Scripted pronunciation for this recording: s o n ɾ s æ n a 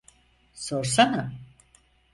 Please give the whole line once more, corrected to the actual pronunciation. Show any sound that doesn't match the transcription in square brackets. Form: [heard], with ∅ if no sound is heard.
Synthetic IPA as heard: s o [∅] ɾ s [a] n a